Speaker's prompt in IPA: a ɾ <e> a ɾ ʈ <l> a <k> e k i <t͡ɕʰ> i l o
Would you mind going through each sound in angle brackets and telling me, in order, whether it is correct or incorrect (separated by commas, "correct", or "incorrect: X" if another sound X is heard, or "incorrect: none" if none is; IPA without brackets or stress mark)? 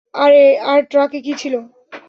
correct, incorrect: ɾ, correct, correct